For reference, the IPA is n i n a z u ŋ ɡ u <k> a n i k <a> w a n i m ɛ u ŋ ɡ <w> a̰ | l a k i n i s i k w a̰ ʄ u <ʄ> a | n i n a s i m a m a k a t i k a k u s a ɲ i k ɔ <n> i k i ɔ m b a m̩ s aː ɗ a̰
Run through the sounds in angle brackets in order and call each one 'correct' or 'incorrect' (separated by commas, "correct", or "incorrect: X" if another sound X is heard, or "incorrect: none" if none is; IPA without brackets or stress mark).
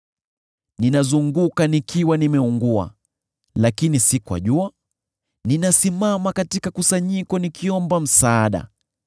correct, incorrect: i, incorrect: u, incorrect: none, correct